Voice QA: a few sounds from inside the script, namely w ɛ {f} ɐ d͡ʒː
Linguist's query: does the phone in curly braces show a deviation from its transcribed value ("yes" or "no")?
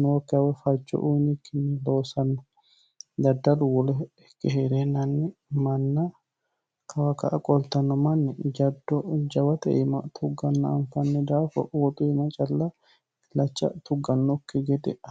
no